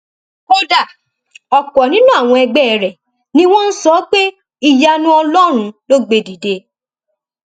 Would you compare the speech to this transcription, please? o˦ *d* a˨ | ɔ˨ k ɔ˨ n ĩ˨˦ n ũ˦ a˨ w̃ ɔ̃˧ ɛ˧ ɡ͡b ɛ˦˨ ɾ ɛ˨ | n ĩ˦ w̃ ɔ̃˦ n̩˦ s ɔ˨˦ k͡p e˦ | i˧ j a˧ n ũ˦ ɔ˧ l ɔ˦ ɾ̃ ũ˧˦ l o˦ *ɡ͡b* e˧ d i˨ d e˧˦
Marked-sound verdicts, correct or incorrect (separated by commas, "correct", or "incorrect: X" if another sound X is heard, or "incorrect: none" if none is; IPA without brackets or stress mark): correct, correct